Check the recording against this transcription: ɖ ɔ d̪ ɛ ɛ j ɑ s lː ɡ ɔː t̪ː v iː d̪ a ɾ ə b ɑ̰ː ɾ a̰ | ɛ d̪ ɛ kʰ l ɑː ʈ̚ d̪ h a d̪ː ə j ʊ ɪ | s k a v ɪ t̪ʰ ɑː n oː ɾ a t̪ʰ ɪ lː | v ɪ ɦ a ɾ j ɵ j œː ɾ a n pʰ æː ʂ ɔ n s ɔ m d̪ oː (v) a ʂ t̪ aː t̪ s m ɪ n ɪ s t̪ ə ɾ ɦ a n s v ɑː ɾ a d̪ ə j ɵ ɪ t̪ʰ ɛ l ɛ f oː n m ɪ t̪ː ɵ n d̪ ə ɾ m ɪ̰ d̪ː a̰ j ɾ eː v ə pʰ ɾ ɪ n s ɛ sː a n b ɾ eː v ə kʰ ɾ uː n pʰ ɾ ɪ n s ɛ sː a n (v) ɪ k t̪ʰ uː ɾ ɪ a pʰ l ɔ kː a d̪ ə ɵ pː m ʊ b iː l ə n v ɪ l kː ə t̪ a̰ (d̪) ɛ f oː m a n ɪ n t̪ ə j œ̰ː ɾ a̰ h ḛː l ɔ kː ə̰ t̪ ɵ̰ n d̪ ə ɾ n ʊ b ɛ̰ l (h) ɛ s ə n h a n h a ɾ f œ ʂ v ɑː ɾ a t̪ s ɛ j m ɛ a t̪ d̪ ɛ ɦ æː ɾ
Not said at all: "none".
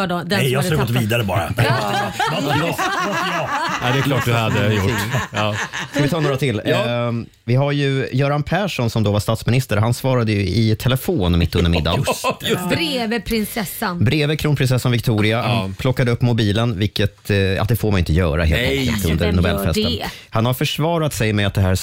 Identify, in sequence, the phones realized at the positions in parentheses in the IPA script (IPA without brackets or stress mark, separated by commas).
v, v, d̪, f